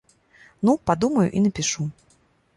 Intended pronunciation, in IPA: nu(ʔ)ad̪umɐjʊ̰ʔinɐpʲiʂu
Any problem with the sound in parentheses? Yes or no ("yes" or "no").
yes